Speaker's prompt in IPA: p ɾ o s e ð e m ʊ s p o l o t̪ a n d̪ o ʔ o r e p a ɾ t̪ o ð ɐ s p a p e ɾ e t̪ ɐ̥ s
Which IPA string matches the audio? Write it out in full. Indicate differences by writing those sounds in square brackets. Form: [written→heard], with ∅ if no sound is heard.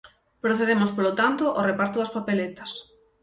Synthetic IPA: p ɾ o [s→θ] e ð e m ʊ s p o l o t̪ a n [d̪→t̪] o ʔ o r e p a ɾ t̪ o ð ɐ s p a p e [ɾ→l] e t̪ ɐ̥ s